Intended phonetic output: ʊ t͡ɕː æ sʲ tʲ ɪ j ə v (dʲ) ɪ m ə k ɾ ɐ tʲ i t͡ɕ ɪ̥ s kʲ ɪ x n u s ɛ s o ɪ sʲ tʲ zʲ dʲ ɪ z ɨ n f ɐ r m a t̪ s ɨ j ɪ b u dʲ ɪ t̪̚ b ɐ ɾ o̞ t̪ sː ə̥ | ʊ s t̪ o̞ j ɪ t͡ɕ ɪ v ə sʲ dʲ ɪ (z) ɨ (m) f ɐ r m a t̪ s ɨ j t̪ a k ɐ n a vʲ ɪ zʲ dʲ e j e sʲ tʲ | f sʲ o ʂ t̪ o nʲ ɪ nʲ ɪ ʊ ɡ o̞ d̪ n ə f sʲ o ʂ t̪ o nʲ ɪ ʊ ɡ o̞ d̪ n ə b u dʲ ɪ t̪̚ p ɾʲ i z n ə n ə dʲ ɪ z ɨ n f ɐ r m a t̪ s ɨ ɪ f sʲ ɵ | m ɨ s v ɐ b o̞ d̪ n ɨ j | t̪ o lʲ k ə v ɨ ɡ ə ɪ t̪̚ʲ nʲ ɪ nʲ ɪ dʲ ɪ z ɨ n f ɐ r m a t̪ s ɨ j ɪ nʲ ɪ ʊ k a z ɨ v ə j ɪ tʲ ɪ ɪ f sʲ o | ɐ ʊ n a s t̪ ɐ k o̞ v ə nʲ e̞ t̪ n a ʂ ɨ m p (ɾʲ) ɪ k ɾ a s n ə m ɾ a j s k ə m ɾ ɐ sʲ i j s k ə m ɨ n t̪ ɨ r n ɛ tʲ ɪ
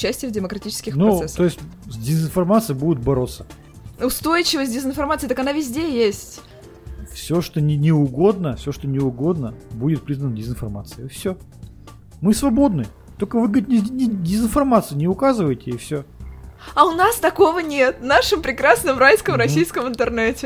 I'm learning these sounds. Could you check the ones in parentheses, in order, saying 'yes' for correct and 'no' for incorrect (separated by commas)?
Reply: yes, yes, no, yes